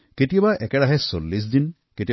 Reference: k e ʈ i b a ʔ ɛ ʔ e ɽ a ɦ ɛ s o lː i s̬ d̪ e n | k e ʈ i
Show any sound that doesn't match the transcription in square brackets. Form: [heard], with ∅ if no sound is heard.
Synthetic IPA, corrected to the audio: k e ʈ i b a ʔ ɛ [k] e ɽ a ɦ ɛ s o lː i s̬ d̪ [i] n | k e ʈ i